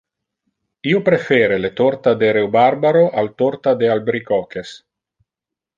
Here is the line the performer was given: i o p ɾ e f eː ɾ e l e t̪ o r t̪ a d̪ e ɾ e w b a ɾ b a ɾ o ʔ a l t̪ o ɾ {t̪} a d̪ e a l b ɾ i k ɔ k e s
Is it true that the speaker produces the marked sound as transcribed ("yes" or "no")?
yes